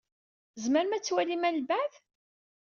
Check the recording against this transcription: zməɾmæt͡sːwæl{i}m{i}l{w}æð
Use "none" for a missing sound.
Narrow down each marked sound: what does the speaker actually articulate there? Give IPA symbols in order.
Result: i, æ, b

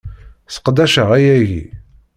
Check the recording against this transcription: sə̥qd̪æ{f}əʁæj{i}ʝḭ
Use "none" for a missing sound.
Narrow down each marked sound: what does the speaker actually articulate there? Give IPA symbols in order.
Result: ʃ, æ

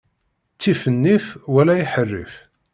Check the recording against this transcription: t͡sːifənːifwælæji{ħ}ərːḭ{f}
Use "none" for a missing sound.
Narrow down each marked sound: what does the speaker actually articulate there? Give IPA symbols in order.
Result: ħ, f

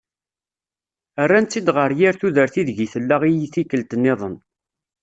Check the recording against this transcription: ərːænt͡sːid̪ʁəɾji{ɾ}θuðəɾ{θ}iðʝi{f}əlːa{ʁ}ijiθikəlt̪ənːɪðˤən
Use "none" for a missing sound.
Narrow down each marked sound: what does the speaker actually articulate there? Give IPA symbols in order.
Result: ɾ, θ, θ, ʁ

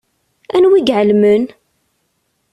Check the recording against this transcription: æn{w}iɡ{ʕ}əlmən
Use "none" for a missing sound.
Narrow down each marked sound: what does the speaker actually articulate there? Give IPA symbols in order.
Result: w, ʕ

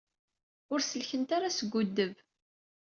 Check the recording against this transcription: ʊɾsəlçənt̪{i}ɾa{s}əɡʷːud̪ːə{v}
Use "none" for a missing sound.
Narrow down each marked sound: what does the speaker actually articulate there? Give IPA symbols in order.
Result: a, s, v

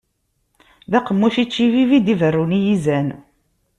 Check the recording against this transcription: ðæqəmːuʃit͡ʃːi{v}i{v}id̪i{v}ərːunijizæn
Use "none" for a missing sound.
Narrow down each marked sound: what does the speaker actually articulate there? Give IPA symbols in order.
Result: v, v, v

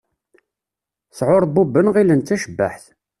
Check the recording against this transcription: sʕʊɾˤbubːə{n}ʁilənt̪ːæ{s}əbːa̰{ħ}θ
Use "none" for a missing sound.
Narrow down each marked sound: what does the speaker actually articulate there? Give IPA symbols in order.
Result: n, ʃ, ħ

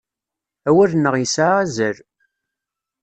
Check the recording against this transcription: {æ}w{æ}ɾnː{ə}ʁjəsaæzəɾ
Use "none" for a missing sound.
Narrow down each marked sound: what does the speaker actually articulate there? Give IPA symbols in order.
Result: æ, æ, ə

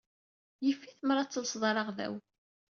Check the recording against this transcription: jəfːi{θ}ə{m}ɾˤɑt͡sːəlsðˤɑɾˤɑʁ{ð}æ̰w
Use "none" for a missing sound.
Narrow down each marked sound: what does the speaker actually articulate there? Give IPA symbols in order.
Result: θ, m, ð

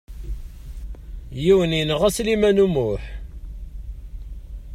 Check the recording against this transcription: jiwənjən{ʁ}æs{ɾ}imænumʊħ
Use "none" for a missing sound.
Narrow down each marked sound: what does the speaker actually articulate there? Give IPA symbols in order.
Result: ʁ, l

